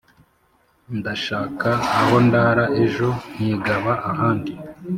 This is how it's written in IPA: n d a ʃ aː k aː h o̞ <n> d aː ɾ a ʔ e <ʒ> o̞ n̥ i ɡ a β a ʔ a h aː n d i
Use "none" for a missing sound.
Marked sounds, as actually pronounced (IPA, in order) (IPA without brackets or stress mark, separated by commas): n, ʒ